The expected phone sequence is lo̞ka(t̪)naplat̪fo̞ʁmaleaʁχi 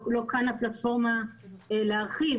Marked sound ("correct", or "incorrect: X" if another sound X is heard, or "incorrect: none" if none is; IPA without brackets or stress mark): incorrect: none